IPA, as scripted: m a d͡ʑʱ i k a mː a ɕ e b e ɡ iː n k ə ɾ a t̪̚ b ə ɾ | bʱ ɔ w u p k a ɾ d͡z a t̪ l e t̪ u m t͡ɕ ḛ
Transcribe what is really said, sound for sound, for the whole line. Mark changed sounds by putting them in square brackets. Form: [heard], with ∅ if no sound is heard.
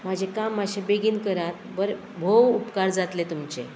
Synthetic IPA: m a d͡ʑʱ [e] k a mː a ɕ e b e ɡ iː n k ə ɾ a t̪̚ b ə ɾ | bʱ [o] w u p k a ɾ d͡z a t̪ l e t̪ u m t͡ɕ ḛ